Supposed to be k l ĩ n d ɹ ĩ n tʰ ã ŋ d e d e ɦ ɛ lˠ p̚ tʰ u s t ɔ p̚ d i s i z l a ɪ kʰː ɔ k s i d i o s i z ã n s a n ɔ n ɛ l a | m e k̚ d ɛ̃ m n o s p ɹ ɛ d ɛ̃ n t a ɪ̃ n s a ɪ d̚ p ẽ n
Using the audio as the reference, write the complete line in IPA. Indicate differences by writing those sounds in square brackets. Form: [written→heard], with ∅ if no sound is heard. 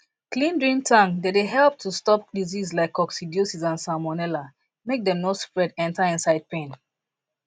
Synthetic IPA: k l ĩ n d ɹ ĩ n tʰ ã ŋ d e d e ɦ ɛ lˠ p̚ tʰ u s t ɔ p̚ d i [s→z] i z l a ɪ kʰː ɔ k s i d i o s i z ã n s a [n→m] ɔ n ɛ l a | m e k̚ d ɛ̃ m n o s p ɹ ɛ d ɛ̃ n t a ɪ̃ n s a ɪ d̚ p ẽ n